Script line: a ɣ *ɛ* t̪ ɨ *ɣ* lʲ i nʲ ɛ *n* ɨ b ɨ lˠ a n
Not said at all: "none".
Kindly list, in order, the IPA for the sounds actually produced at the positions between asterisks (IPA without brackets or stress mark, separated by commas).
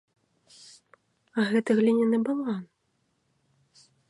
ɛ, ɣ, n